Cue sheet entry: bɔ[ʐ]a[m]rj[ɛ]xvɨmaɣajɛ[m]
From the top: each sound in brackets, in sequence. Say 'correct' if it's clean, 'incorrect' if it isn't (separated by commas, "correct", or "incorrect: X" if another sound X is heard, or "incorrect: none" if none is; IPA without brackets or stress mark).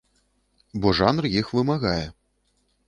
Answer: correct, incorrect: n, incorrect: i, incorrect: none